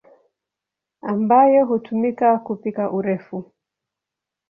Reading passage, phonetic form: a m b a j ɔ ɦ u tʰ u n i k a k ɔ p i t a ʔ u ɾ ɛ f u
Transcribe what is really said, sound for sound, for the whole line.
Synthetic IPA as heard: a m b a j ɔ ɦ u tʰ u m i k a k u p i k a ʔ u ɾ ɛ f u